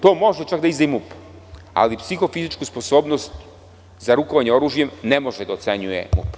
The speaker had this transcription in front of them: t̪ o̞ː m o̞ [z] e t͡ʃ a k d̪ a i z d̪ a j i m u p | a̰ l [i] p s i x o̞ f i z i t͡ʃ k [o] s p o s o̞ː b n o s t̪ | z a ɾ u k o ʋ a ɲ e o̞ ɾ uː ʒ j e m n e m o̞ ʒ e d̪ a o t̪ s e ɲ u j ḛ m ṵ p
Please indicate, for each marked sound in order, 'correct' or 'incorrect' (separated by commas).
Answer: incorrect, correct, incorrect